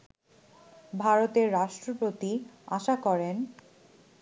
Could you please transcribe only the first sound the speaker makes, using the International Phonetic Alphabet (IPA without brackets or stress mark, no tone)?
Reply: bʱ